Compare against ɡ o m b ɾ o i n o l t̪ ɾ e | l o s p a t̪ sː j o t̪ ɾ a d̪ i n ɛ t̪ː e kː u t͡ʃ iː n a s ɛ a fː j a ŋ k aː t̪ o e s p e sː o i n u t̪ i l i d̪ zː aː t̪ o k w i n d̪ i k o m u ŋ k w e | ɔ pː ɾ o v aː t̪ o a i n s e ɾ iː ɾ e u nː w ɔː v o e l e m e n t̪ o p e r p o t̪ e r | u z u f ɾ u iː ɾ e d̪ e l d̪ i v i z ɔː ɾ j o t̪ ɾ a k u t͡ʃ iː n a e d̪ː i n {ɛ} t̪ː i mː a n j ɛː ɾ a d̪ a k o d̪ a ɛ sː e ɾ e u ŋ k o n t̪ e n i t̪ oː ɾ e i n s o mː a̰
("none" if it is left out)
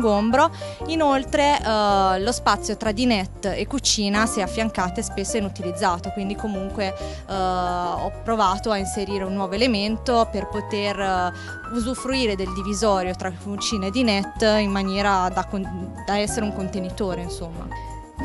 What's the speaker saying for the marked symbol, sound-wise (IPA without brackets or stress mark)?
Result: ɛ